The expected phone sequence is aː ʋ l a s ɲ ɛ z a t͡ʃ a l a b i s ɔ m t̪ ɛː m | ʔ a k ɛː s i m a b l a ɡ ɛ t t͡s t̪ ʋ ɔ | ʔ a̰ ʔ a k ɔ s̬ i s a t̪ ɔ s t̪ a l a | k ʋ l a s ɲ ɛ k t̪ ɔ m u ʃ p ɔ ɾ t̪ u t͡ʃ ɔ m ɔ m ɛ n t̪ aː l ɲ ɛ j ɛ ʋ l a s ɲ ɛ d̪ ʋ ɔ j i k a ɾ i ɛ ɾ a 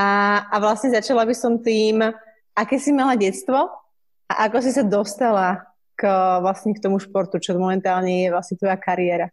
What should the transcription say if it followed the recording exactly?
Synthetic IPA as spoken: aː ʋ l a s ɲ ɛ z a t͡ʃ a l a b i s ɔ m t̪ iː m | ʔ a k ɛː s i m a l a ɟ ɛ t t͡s t̪ ʋ ɔ | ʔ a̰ ʔ a k ɔ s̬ i s a d̪ ɔ s t̪ a l a | k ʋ l a s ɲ ɛ k t̪ ɔ m u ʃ p ɔ ɾ t̪ u t͡ʃ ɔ m ɔ m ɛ n t̪ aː l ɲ ɛ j ɛ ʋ l a s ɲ ɛ t̪ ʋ ɔ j a k a ɾ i ɛ ɾ a